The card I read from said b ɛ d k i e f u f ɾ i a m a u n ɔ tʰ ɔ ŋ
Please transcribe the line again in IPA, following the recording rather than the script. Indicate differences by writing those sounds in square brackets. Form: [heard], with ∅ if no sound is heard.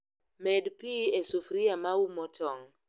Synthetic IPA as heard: [m] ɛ d [p] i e [s] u f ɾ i a m a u [m] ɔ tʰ ɔ ŋ